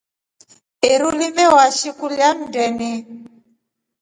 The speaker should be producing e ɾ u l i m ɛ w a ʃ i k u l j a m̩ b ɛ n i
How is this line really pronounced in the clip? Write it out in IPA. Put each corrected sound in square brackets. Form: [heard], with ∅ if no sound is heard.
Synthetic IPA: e ɾ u l i m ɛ w a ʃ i k u l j a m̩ [d] ɛ n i

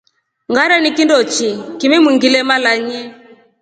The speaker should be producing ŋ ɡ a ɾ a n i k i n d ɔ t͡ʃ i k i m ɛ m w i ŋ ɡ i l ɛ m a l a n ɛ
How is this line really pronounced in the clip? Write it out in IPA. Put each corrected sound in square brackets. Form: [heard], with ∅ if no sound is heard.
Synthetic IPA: ŋ ɡ a ɾ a n i k i n d ɔ t͡ʃ i k i m ɛ m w i ŋ ɡ i l ɛ m a l a [ɲ] ɛ

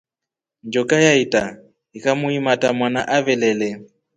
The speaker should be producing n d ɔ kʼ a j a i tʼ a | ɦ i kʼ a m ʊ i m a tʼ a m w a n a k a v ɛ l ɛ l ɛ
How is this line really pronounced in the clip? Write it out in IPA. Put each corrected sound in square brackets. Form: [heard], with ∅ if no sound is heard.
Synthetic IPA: n [d͡ʒ] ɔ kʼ a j a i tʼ a | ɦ i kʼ a m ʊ i m a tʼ a m w a n a [ʔ] a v ɛ l ɛ l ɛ

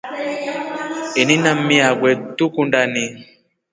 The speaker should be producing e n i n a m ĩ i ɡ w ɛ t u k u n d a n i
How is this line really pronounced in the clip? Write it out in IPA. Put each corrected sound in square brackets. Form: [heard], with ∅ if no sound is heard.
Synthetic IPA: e n i n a m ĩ [a] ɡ w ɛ t u k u n d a n i

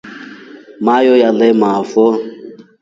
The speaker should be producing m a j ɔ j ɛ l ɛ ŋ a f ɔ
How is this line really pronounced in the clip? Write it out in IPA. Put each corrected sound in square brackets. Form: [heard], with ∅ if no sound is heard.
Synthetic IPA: m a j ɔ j [a] l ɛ [m] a f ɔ

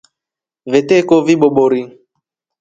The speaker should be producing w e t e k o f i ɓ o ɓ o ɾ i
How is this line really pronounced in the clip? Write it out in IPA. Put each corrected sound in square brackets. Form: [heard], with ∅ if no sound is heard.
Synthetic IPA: [v] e t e k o [v] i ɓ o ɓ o ɾ i

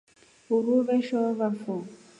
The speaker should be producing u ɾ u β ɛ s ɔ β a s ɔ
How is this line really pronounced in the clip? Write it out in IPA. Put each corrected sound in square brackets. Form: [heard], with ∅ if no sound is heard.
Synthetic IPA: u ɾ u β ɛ [ʃ] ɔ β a [f] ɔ

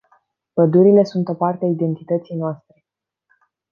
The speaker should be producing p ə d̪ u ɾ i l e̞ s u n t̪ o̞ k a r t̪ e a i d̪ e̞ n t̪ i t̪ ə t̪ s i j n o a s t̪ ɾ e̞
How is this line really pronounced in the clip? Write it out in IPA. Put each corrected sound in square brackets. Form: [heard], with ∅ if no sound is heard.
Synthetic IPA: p ə d̪ u ɾ i l e̞ s u n t̪ o̞ [p] a r t̪ e a i d̪ e̞ n t̪ i t̪ ə t̪ s i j n o a s t̪ ɾ e̞

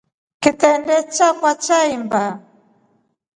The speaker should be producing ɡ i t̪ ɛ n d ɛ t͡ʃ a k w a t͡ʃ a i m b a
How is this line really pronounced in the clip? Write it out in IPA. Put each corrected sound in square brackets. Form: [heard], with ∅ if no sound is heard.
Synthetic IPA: [k] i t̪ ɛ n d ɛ t͡ʃ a k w a t͡ʃ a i m b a

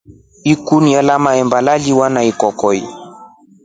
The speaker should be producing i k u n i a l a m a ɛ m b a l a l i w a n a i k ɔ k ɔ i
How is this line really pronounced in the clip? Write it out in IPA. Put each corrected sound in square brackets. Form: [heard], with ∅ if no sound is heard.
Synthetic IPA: i k u n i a l a m a ɛ m b a l a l i w a n a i k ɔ k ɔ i

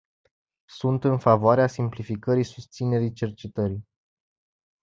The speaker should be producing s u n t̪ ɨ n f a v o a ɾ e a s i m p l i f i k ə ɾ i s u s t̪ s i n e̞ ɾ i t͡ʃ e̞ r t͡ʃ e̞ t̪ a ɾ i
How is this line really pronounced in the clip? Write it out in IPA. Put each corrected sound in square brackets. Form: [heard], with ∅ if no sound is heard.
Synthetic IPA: s u n t̪ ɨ n f a v o a ɾ e a s i m p l i f i k ə ɾ i s u s t̪ s i n e̞ ɾ i t͡ʃ e̞ r t͡ʃ e̞ t̪ [ə] ɾ i

